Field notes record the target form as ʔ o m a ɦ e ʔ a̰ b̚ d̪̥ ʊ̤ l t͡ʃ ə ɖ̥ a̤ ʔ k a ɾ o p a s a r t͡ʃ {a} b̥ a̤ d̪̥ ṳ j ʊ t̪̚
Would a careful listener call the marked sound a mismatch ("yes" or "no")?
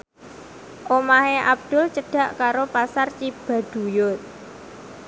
yes